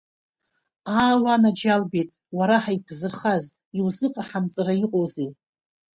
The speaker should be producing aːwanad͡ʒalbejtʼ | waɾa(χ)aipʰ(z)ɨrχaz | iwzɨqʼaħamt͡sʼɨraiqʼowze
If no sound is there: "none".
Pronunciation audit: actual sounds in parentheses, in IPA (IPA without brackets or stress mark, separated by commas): ħ, z